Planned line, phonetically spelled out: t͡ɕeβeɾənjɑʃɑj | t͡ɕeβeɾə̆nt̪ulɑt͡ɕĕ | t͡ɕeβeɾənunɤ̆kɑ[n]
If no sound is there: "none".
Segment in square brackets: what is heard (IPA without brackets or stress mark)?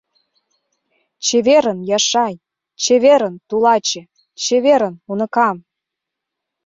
m